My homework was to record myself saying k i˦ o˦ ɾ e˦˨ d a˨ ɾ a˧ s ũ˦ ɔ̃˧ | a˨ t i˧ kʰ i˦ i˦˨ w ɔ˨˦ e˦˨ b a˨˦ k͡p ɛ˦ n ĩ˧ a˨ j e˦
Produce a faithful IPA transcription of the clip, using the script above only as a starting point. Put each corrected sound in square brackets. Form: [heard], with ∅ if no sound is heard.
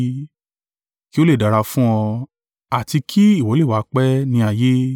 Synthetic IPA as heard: k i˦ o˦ [l] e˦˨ d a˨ ɾ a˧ [f] ũ˦ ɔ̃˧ | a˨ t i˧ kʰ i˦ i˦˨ w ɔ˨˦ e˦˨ [w] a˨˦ k͡p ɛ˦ n ĩ˧ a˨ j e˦